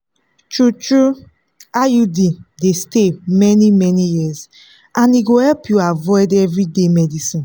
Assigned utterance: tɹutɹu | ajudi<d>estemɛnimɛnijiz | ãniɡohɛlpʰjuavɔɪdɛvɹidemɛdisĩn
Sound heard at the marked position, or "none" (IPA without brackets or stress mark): d